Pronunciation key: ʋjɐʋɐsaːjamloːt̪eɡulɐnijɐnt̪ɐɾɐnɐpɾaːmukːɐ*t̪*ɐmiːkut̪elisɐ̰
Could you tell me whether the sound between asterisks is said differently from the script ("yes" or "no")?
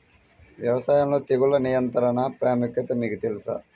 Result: no